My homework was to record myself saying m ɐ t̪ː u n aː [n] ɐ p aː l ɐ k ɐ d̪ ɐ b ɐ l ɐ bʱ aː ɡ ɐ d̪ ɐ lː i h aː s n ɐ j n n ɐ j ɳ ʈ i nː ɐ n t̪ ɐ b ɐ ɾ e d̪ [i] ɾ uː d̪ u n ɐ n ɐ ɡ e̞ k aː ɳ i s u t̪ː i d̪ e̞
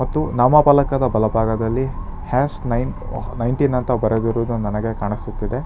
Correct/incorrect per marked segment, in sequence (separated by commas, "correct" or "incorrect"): incorrect, correct